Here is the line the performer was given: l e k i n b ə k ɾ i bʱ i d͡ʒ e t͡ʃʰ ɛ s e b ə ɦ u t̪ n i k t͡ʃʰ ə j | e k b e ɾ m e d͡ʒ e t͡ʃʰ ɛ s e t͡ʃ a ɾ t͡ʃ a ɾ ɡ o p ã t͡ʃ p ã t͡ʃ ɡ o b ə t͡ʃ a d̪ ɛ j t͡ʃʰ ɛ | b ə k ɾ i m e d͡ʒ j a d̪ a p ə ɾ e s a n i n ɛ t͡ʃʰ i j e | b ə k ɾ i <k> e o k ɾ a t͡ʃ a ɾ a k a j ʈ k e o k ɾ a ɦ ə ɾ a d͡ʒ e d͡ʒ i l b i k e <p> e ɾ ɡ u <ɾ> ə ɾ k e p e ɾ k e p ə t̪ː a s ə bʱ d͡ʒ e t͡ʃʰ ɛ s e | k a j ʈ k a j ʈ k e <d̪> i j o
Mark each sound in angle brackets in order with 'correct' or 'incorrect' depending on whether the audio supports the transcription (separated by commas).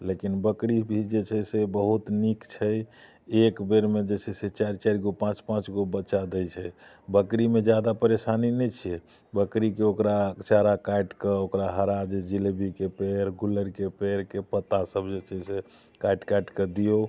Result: correct, correct, incorrect, correct